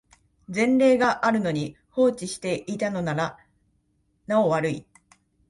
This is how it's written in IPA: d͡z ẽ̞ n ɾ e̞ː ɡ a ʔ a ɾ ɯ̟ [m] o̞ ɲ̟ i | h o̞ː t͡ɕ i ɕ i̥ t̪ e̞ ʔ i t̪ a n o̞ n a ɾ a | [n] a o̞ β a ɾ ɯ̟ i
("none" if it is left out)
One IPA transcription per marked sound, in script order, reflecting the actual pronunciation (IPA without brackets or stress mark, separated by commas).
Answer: n, n